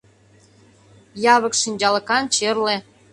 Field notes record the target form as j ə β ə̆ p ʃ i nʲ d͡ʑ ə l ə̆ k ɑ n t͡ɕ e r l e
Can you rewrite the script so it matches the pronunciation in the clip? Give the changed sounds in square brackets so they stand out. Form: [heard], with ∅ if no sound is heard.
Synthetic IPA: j [ɑ] β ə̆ [k] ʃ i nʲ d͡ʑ [ɑ] l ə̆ k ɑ n t͡ɕ e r l e